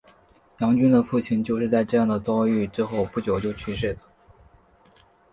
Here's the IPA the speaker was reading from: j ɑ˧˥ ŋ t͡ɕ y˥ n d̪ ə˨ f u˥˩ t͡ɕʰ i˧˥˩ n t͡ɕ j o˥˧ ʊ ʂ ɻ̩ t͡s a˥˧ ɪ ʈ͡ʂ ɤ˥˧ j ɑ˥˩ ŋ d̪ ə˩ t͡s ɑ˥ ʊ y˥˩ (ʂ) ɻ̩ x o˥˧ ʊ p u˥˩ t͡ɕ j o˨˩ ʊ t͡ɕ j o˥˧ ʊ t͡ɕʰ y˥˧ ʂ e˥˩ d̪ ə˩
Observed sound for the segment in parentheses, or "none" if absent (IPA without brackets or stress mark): ʈ͡ʂ